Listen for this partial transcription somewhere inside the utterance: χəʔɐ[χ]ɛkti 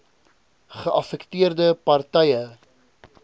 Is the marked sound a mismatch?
yes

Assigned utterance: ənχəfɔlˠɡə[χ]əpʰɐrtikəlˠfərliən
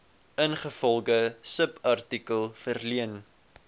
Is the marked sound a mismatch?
yes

